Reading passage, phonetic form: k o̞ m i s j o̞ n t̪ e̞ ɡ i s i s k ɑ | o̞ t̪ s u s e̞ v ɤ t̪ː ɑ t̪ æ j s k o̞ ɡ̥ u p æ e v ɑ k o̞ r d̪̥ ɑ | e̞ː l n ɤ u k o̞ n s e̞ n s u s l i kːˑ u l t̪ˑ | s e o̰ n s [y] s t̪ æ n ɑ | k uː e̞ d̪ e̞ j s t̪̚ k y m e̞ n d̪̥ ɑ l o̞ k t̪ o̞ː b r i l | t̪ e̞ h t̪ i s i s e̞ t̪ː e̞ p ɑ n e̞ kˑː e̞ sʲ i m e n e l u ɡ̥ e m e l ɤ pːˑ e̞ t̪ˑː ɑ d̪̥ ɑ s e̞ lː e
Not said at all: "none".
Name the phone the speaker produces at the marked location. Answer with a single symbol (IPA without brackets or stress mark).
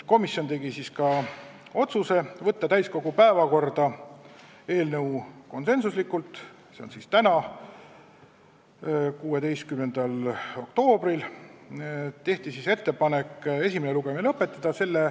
i